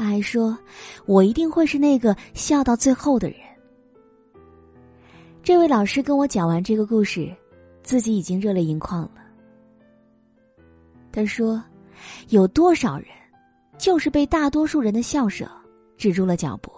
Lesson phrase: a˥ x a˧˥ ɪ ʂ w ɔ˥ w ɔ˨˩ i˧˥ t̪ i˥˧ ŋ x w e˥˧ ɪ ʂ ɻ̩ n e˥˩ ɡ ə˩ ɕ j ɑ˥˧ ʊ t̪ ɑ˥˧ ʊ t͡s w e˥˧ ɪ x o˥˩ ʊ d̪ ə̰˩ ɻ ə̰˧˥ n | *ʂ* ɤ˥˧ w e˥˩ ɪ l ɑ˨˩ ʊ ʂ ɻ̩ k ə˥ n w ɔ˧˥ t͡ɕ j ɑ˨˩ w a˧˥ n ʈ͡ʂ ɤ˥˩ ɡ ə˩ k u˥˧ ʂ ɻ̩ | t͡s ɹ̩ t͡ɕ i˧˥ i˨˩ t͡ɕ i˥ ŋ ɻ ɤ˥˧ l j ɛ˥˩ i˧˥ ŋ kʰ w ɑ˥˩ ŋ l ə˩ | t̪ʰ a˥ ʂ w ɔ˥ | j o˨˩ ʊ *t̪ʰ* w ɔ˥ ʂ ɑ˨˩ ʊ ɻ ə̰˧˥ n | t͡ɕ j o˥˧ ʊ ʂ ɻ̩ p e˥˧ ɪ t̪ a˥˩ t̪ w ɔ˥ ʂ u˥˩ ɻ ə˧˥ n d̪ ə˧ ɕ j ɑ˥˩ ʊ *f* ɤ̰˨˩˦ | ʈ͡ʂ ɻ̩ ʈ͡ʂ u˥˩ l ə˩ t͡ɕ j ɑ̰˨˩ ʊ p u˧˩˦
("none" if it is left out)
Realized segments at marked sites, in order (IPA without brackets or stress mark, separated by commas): ʈ͡ʂ, t̪, ʂ